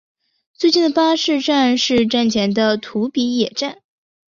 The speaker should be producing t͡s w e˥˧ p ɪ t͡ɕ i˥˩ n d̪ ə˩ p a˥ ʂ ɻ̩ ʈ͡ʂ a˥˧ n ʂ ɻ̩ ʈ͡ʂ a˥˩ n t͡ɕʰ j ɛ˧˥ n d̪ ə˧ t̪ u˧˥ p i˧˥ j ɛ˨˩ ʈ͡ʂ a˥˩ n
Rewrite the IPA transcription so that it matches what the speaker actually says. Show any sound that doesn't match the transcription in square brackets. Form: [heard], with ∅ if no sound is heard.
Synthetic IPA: t͡s w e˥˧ [∅] ɪ t͡ɕ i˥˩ n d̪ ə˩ p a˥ ʂ ɻ̩ ʈ͡ʂ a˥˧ n ʂ ɻ̩ ʈ͡ʂ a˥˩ n t͡ɕʰ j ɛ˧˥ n d̪ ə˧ [t̪ʰ] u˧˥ p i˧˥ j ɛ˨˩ ʈ͡ʂ a˥˩ n